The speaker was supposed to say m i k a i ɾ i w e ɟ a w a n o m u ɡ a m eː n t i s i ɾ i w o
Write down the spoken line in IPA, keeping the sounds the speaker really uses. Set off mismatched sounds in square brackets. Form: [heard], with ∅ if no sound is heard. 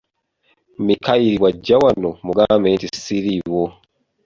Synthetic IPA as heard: m i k a i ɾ i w [a] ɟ a w a n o m u ɡ a m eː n t i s i ɾ i w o